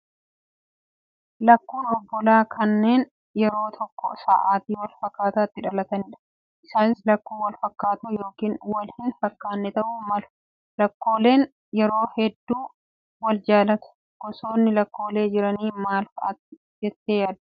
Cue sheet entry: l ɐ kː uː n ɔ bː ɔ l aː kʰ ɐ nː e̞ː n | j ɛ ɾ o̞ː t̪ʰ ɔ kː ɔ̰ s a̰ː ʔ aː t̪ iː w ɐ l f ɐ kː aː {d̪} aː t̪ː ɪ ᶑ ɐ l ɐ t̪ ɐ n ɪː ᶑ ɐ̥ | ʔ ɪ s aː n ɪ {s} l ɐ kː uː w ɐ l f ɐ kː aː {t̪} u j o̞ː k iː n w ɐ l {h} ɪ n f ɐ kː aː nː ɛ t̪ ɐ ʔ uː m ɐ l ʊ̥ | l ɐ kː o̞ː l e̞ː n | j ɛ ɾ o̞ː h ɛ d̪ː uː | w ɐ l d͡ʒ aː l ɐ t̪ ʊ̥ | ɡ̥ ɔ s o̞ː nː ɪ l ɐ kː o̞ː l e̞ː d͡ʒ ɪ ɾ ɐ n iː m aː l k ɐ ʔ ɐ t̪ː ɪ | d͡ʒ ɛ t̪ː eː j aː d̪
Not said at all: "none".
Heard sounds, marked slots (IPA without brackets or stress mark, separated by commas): t̪, s, t̪, h